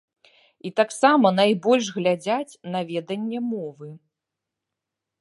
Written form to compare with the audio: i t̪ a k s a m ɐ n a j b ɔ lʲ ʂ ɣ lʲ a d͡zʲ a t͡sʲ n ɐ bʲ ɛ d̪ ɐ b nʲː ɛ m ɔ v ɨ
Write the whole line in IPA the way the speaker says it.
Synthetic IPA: i t̪ a k s a m ɐ n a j b ɔ lʲ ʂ ɣ lʲ a d͡zʲ a t͡sʲ n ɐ vʲ ɛ d̪ ɐ nʲː ɛ m ɔ v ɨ